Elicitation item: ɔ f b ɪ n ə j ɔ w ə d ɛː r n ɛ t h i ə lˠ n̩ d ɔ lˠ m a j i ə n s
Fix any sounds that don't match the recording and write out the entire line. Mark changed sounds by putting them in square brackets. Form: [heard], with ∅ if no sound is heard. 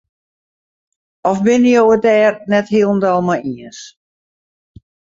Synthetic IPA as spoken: ɔ f b ɪ n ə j [o] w ə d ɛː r n ɛ t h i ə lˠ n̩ d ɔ lˠ m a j i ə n s